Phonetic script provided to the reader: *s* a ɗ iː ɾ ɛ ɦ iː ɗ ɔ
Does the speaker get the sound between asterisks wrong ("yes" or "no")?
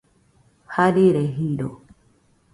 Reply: yes